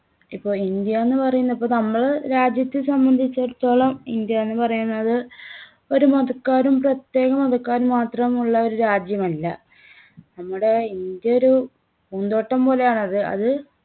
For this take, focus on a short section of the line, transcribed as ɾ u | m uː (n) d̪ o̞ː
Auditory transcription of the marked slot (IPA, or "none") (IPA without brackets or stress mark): n